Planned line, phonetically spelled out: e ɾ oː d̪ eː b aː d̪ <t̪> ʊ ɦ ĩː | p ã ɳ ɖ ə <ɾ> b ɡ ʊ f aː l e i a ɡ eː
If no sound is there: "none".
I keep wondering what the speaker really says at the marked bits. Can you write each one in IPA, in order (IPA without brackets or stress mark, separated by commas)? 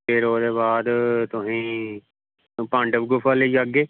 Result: t̪, none